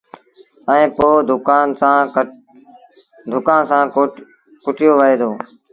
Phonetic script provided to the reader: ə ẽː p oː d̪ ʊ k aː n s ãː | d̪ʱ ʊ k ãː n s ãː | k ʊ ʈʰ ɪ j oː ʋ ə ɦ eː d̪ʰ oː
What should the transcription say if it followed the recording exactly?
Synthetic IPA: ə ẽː p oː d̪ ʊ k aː n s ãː | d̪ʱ ʊ k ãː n s ãː | k ʊ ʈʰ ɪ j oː ʋ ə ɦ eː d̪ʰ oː